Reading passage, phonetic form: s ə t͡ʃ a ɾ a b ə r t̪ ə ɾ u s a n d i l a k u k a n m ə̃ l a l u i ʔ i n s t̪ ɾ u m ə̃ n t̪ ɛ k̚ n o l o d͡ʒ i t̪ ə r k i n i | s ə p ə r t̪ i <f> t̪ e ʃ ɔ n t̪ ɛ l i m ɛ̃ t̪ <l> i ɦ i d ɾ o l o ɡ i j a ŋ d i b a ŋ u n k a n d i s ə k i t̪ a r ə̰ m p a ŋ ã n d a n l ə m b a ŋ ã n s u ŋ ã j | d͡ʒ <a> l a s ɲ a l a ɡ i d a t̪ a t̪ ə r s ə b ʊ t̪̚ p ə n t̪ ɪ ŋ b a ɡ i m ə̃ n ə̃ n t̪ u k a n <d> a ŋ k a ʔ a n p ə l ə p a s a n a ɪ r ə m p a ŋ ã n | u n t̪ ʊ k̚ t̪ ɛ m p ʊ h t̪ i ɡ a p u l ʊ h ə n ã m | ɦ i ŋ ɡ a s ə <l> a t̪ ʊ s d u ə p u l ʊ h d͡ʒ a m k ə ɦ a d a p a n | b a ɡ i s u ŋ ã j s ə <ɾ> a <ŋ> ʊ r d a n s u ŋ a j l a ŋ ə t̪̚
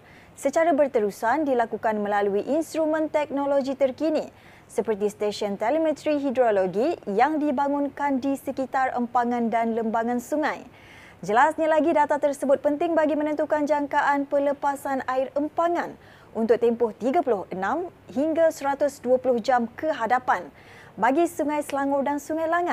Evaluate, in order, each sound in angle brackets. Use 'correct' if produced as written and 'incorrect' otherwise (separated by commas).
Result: incorrect, incorrect, incorrect, incorrect, incorrect, incorrect, correct